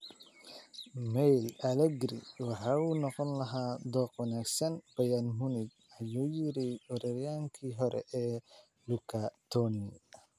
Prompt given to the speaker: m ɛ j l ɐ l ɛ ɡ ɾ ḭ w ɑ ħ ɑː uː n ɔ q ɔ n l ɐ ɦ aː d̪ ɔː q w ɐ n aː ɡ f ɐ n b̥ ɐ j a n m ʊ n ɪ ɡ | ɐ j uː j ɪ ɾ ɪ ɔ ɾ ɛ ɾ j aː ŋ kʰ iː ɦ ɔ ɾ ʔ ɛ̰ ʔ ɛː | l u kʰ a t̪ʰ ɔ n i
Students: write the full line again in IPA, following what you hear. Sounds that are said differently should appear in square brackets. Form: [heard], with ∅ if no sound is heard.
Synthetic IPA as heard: m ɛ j l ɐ l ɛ ɡ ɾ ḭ w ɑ ħ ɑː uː n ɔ q ɔ n l ɐ ɦ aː d̪ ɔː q w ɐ n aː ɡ [s] ɐ n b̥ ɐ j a n m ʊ n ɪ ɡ | ɐ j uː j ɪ ɾ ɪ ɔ ɾ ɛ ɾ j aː ŋ kʰ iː ɦ ɔ ɾ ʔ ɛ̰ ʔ ɛː | l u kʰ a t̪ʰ ɔ n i